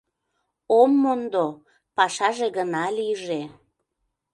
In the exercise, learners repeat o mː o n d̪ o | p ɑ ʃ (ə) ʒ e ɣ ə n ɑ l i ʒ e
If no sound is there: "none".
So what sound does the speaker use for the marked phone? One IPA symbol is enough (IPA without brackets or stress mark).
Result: ɑ